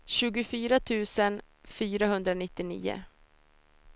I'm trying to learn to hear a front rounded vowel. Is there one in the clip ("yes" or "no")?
yes